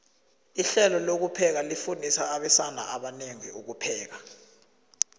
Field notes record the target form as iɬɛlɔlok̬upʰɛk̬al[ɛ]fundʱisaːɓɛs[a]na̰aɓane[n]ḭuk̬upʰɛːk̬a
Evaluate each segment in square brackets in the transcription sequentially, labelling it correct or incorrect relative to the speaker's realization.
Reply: incorrect, correct, incorrect

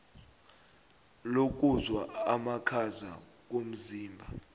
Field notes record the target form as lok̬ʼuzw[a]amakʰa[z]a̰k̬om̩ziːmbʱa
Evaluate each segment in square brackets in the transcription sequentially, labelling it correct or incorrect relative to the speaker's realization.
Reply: correct, correct

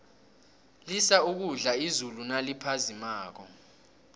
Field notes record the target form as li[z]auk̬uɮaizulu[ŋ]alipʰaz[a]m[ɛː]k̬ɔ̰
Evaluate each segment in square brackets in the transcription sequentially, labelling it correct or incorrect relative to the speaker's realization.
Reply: incorrect, incorrect, incorrect, incorrect

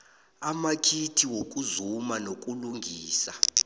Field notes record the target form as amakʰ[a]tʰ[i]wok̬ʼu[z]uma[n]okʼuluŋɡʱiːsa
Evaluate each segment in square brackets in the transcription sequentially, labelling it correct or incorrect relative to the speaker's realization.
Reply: incorrect, correct, correct, correct

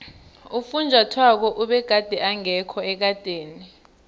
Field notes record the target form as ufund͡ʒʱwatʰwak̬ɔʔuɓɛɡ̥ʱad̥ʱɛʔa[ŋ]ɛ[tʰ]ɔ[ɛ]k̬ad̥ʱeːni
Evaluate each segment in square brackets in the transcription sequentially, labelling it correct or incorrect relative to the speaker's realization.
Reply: correct, incorrect, correct

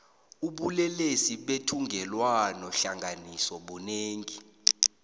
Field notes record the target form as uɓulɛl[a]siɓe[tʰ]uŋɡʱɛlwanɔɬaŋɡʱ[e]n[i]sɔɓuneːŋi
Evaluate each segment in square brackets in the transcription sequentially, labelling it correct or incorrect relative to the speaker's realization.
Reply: incorrect, correct, incorrect, correct

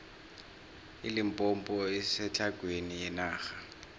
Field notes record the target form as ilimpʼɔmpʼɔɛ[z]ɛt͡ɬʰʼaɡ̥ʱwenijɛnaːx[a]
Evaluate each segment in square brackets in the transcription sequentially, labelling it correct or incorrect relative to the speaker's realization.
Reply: incorrect, correct

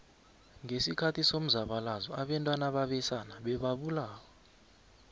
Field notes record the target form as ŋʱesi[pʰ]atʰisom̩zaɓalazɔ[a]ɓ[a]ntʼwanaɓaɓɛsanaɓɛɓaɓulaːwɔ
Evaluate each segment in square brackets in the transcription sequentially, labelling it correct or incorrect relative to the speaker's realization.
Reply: incorrect, correct, incorrect

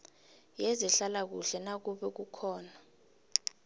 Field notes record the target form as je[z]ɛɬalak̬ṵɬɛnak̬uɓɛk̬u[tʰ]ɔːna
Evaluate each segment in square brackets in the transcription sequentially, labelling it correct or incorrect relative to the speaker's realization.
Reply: correct, incorrect

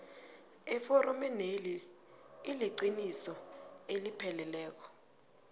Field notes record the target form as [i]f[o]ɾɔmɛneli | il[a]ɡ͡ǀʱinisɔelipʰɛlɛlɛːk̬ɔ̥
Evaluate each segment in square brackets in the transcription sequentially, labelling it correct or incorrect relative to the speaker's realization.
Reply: incorrect, incorrect, incorrect

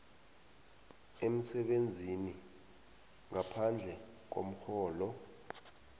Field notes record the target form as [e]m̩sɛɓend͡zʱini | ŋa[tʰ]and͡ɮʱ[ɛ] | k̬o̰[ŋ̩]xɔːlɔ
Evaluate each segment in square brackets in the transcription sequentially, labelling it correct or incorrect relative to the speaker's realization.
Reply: correct, incorrect, correct, incorrect

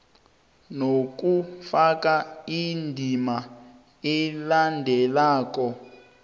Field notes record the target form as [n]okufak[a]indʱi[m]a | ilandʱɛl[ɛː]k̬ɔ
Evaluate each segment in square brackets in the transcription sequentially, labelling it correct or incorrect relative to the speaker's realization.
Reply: correct, correct, correct, incorrect

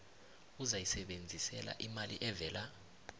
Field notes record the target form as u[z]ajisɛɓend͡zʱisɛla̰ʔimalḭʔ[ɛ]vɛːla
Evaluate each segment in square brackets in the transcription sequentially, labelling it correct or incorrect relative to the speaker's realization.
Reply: correct, correct

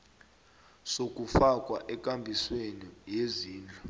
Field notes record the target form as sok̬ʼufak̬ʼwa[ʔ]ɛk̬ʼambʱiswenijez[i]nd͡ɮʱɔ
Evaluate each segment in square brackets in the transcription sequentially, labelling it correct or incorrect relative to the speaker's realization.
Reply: correct, incorrect

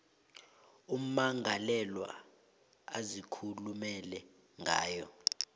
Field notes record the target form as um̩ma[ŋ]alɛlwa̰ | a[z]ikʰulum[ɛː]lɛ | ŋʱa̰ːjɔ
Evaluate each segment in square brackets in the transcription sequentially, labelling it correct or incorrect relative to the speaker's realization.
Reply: correct, correct, incorrect

